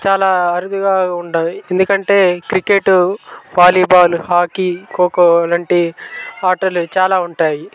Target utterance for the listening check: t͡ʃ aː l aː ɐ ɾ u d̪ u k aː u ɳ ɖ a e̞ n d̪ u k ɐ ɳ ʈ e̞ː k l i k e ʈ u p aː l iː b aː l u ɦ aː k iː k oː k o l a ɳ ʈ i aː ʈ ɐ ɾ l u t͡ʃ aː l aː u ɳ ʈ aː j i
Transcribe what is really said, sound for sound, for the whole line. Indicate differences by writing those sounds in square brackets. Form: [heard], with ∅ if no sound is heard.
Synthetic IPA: t͡ʃ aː l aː ɐ ɾ u d̪ u [ɡ] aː u ɳ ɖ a e̞ n d̪ u k ɐ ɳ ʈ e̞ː k [ɾ] i k e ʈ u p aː l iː b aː l u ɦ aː k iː k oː k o l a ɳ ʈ i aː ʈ ɐ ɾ l u t͡ʃ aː l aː u ɳ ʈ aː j i